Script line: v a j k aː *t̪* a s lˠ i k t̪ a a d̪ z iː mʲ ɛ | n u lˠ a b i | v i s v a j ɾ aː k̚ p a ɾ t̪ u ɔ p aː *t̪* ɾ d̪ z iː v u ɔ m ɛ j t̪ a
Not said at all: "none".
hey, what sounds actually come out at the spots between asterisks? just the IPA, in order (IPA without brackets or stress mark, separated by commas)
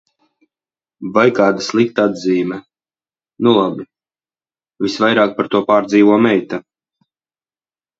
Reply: d̪, none